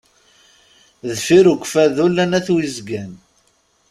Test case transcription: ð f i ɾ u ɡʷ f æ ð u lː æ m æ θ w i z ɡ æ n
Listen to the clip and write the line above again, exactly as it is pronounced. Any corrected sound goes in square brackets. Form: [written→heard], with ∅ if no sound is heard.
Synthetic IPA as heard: ð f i ɾ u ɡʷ f æ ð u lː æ [m→n] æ θ w i z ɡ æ n